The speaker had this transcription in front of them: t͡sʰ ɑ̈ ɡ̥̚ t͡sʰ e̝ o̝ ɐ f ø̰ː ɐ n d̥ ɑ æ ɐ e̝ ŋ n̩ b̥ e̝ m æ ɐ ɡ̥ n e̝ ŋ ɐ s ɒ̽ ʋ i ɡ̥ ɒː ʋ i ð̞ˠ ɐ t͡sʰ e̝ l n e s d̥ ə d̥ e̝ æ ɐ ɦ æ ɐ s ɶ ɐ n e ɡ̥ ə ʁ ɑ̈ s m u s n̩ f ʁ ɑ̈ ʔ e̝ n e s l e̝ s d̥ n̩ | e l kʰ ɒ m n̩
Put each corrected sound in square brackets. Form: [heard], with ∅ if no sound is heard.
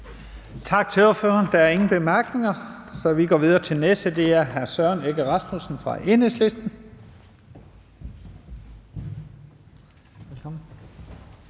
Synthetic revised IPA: t͡sʰ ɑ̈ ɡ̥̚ t͡sʰ e̝ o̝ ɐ f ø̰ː ɐ n d̥ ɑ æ ɐ e̝ ŋ n̩ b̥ e̝ m æ ɐ ɡ̥ n e̝ ŋ ɐ s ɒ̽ ʋ i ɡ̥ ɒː ʋ i ð̞ˠ ɐ t͡sʰ e̝ l n e s d̥ ə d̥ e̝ æ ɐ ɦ æ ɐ s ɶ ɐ n e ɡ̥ ə ʁ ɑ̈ s m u s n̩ f ʁ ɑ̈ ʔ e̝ n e s l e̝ s d̥ n̩ | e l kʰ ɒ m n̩